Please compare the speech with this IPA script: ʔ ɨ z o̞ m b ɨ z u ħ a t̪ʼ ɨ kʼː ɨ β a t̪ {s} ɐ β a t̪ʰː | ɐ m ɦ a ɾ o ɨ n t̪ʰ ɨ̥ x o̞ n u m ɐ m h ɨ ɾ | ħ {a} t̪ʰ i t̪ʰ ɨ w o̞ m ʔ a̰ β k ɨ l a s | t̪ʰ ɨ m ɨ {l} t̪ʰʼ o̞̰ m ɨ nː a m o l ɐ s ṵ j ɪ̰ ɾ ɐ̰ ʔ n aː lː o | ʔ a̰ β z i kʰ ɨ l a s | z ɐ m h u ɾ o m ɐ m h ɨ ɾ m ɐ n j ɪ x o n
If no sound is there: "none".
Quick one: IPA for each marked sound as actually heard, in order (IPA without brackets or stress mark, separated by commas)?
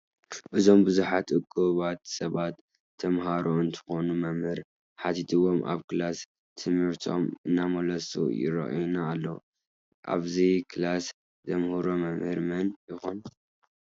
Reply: s, a, ɾ